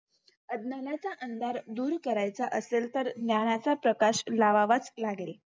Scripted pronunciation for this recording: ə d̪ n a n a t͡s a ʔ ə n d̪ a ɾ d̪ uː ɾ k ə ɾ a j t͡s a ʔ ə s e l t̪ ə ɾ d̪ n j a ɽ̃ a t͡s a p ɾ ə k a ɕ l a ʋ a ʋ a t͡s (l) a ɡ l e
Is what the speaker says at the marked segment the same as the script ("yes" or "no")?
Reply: yes